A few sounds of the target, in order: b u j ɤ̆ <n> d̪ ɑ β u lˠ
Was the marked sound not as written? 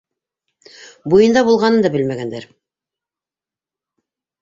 no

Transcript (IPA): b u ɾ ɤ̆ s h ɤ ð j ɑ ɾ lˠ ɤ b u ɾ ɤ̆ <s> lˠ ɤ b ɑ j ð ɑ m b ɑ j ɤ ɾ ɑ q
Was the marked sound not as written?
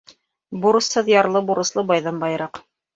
no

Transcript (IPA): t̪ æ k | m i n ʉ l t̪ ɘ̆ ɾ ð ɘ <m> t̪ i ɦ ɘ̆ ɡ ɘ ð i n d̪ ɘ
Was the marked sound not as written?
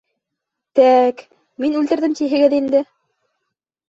no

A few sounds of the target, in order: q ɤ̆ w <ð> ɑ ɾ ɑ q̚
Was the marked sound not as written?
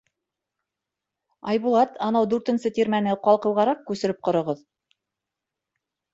yes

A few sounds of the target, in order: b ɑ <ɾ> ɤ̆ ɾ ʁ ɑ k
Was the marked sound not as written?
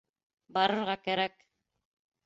no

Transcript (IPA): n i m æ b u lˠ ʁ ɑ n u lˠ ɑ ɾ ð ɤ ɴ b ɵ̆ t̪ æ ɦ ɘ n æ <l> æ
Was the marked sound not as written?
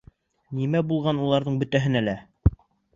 no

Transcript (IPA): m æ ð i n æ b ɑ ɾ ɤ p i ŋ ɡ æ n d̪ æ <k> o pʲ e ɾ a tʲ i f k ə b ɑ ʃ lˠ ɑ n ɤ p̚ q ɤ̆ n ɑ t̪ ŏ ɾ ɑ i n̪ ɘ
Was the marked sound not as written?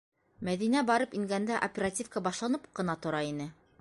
yes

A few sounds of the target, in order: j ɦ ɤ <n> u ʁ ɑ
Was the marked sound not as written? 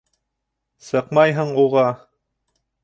yes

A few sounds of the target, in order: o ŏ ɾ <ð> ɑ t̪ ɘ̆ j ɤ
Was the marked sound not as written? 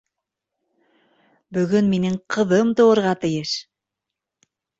yes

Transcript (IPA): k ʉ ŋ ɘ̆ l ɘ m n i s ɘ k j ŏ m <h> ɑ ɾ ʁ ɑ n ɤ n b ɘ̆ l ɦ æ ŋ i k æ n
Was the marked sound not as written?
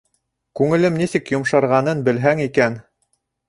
yes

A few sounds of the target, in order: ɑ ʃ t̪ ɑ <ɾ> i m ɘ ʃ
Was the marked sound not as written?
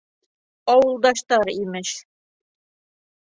no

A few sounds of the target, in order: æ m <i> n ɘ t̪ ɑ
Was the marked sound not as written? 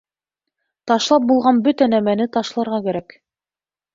yes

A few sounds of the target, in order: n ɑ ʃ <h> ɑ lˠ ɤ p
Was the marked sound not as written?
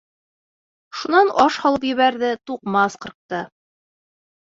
no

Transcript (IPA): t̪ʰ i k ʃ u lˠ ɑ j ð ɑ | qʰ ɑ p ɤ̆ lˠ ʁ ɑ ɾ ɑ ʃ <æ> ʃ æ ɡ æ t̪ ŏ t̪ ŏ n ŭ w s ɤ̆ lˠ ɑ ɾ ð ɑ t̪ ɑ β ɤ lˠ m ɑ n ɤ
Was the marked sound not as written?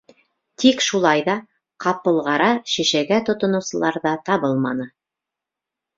yes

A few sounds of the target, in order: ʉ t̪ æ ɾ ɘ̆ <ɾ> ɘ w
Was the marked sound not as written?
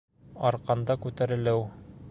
yes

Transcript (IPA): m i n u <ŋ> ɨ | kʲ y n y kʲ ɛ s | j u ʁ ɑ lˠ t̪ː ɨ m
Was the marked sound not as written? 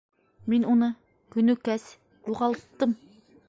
yes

